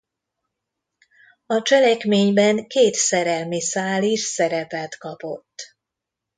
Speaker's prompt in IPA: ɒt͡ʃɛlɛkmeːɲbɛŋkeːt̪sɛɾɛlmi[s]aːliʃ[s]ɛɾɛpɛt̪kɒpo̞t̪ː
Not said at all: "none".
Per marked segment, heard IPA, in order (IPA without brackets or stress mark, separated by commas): s, s